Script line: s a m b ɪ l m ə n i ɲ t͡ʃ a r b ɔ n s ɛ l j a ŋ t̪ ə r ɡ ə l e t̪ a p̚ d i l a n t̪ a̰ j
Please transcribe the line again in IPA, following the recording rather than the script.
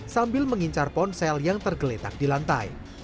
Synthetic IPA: s a m b ɪ l m ə ŋ i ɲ t͡ʃ a r p ɔ n s ɛ l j a ŋ t̪ ə r ɡ ə l e t̪ a k̚ d i l a n t̪ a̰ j